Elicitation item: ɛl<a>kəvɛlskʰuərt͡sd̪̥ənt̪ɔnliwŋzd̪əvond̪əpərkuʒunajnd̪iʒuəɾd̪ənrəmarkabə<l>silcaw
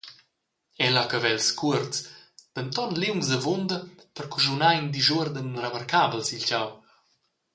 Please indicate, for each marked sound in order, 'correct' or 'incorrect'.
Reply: correct, correct

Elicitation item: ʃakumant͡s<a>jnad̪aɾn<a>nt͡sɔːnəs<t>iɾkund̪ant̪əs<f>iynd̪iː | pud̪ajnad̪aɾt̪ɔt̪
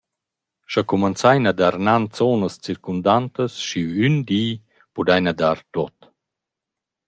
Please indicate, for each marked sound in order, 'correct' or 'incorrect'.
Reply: correct, correct, incorrect, incorrect

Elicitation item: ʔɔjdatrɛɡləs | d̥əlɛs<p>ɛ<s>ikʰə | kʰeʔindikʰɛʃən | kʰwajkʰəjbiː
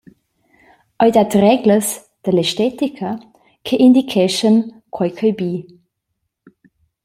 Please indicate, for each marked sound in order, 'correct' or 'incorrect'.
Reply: incorrect, incorrect

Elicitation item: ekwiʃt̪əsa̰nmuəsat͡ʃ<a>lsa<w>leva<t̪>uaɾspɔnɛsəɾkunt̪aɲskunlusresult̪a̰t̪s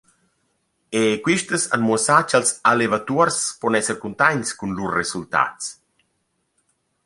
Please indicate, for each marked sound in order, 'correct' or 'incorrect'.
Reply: correct, incorrect, correct

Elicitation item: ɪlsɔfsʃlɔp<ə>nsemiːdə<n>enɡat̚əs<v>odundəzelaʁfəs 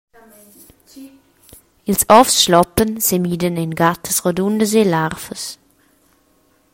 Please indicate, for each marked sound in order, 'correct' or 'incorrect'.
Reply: correct, correct, incorrect

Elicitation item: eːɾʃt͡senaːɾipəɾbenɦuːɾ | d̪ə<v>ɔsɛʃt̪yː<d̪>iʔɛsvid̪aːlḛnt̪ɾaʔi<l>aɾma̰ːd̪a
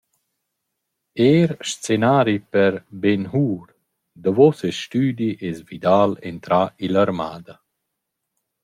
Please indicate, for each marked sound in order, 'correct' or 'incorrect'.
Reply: correct, correct, correct

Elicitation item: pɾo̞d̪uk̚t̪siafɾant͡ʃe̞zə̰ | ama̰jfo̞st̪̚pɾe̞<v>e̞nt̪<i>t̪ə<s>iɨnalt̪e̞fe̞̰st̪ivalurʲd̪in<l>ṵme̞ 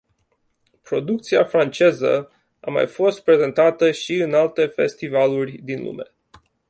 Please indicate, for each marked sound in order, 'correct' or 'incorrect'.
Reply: incorrect, incorrect, incorrect, correct

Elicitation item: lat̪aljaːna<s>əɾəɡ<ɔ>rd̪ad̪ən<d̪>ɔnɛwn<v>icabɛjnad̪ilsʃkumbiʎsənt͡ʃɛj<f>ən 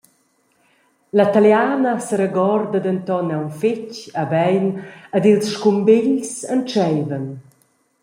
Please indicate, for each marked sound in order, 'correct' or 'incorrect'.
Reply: correct, correct, incorrect, incorrect, incorrect

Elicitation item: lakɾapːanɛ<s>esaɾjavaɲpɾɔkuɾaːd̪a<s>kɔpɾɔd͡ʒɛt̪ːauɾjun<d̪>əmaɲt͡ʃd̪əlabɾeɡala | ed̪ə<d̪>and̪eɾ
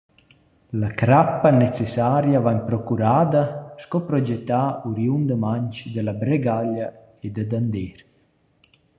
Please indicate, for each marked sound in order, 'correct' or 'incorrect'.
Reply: incorrect, incorrect, correct, correct

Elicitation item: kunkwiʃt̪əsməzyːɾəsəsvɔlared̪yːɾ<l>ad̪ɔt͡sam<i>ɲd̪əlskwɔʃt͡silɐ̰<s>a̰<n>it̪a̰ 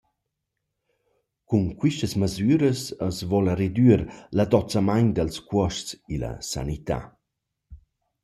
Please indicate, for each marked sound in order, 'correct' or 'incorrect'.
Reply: correct, incorrect, correct, correct

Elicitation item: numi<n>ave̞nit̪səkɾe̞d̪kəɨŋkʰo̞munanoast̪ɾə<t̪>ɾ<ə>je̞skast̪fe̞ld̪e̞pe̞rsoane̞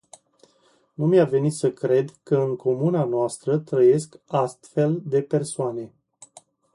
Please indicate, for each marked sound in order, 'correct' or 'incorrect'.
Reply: incorrect, correct, correct

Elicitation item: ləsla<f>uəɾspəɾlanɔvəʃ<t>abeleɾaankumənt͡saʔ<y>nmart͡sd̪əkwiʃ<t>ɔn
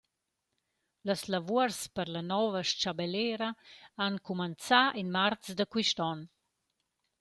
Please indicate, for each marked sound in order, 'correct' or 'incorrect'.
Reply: incorrect, incorrect, incorrect, correct

